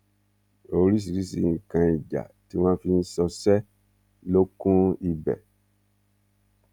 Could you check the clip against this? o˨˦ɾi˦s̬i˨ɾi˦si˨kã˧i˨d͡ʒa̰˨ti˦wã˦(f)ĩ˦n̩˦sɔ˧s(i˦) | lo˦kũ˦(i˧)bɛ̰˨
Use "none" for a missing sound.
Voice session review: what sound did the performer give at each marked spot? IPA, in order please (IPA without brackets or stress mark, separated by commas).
f, ɛ˦, i˧